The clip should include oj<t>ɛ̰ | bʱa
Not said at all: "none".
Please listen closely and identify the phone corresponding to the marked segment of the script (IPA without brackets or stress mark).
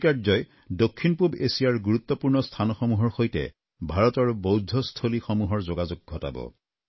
t